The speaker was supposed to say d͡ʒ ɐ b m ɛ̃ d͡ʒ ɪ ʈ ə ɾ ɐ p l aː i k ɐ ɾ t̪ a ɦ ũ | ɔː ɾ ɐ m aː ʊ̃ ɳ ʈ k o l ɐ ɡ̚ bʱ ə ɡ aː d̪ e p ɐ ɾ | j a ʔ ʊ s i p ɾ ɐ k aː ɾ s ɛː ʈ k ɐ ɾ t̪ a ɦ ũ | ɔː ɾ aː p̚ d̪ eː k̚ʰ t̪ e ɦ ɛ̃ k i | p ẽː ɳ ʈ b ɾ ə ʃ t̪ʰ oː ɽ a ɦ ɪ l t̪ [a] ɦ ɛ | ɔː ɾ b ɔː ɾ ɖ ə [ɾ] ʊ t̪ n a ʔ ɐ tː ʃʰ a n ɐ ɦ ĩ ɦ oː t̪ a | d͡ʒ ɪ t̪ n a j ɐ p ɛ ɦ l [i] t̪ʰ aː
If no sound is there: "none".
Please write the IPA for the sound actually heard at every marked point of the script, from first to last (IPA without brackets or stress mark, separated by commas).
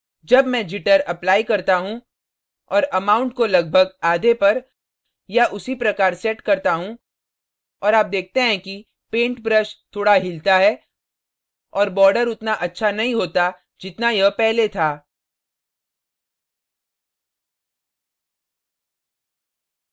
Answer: a, ɾ, e